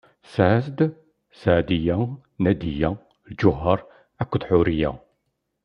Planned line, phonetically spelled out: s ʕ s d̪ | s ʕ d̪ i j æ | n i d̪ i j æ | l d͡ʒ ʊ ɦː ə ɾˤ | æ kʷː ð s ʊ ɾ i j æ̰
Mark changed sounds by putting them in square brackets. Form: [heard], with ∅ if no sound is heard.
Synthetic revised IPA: s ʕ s d̪ | s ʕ d̪ i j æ | n [æ] d̪ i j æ | l d͡ʒ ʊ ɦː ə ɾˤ | æ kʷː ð [ħ] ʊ ɾ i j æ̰